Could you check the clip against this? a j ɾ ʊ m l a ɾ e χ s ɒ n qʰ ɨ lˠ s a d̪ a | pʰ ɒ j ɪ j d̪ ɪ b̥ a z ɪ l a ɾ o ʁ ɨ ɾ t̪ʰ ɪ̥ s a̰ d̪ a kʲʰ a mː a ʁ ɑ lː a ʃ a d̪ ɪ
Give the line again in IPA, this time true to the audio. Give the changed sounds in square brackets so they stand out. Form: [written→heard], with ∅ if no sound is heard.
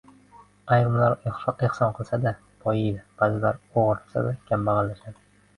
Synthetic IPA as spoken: a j ɾ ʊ m l a ɾ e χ s ɒ n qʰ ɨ lˠ s a d̪ a | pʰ ɒ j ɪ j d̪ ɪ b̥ a z ɪ l a ɾ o ʁ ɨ ɾ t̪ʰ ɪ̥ s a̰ d̪ a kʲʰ a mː a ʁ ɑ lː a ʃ a d̪ ɪ